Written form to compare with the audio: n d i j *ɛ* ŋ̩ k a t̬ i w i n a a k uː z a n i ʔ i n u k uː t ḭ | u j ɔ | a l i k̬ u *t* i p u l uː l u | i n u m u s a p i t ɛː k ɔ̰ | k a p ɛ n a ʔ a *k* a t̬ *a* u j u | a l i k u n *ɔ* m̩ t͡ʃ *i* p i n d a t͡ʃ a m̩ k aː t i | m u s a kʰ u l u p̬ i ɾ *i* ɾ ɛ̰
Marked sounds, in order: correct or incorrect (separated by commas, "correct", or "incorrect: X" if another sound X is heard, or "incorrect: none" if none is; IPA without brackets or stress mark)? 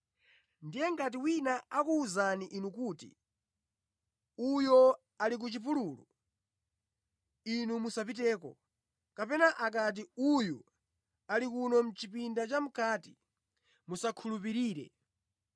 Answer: correct, incorrect: t͡ʃ, correct, incorrect: i, correct, correct, incorrect: iː